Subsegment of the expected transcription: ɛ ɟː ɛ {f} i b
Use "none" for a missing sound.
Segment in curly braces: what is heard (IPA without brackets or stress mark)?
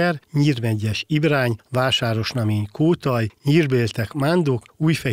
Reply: ʃ